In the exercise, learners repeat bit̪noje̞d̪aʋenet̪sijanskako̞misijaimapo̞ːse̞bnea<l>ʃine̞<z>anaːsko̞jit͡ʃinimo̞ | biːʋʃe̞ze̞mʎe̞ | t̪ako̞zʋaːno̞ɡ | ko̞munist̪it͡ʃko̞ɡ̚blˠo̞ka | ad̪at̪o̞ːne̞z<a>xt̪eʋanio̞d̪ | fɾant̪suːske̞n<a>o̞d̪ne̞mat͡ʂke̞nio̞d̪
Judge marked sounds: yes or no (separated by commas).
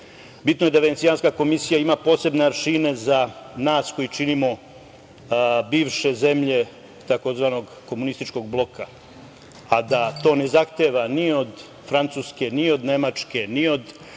no, yes, yes, no